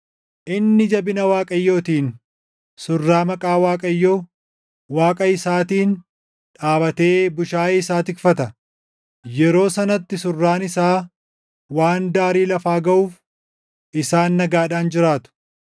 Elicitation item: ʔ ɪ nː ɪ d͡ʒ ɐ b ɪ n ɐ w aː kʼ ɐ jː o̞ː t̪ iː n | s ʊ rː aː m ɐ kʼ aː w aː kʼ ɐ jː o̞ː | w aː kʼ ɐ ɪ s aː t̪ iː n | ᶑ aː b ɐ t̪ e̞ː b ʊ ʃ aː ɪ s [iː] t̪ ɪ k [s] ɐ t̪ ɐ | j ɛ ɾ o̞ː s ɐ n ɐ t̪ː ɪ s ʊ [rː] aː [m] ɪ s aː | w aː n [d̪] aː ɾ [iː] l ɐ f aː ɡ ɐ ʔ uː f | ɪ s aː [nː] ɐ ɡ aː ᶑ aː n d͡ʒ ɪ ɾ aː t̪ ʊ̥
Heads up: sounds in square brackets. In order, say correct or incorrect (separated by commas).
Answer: incorrect, incorrect, correct, incorrect, correct, correct, correct